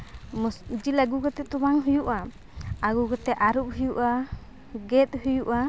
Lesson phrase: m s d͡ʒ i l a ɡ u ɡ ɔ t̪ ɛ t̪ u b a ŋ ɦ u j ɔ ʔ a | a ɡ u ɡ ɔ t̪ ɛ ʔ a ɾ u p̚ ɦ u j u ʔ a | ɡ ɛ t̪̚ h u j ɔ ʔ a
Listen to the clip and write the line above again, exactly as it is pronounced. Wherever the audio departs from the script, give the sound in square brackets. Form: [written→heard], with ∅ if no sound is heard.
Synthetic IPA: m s d͡ʒ i l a ɡ u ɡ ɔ t̪ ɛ t̪ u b a ŋ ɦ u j [ɔ→u] ʔ a | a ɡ u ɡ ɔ t̪ ɛ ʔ a ɾ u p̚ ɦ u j u ʔ a | ɡ ɛ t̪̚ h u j [ɔ→u] ʔ a